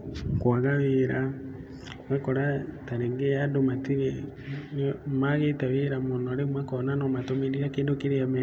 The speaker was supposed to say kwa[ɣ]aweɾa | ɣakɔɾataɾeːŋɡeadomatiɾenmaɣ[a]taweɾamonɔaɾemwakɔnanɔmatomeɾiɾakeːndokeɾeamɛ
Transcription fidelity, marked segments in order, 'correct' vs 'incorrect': correct, incorrect

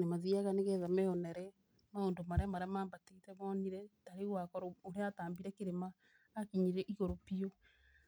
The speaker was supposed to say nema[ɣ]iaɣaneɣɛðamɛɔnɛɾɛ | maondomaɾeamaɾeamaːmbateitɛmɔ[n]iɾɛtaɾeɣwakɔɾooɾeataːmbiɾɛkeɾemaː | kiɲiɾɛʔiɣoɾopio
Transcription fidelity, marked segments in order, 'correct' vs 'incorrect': incorrect, correct

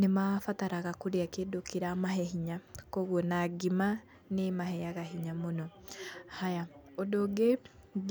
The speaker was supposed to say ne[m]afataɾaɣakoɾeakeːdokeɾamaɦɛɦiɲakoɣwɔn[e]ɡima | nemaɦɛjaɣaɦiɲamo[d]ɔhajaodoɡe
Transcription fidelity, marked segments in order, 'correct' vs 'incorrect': correct, incorrect, incorrect

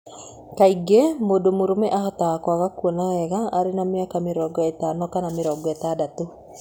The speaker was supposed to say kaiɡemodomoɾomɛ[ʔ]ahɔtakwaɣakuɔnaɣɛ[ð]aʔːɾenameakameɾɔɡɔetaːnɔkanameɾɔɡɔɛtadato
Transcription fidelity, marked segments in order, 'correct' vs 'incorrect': correct, incorrect

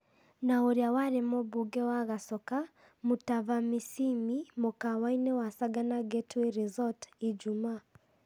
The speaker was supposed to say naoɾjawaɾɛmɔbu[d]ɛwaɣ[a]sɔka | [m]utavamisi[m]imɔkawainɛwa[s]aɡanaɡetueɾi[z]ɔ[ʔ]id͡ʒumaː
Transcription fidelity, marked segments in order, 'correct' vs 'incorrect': incorrect, correct, correct, correct, correct, correct, incorrect

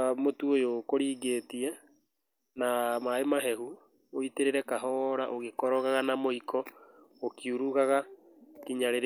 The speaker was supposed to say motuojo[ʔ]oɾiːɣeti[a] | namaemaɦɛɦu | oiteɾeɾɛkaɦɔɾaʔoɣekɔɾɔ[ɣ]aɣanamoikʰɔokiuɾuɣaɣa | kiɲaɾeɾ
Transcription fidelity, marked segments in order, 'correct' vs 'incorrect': incorrect, incorrect, correct

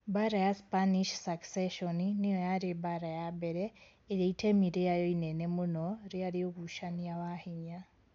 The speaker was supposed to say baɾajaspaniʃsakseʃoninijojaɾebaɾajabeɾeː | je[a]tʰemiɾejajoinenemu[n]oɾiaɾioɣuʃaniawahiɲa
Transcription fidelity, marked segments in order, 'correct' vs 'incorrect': incorrect, correct

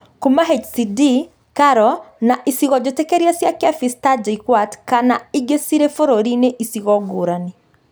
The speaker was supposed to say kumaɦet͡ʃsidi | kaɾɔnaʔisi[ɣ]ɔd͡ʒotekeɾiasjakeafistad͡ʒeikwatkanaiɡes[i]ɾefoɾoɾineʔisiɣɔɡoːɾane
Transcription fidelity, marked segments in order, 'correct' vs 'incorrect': correct, correct

